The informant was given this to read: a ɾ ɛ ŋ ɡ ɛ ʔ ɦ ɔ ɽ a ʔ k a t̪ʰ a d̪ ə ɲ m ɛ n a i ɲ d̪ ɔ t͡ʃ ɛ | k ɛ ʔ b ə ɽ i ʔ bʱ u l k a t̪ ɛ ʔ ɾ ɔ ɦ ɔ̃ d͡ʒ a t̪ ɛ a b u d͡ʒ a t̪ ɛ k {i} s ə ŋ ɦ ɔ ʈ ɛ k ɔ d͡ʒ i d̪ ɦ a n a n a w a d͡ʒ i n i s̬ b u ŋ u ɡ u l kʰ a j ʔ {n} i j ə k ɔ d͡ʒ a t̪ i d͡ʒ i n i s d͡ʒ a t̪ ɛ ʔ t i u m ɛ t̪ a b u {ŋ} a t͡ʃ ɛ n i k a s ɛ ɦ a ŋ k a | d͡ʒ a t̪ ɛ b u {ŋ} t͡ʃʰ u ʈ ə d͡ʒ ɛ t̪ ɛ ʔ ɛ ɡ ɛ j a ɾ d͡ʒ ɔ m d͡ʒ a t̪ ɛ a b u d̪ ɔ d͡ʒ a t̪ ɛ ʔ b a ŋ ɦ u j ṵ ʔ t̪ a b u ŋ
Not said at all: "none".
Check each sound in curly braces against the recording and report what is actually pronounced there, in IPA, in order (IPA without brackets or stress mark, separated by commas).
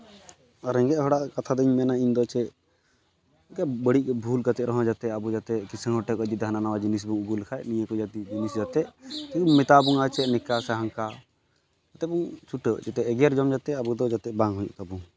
i, n, ŋ, ŋ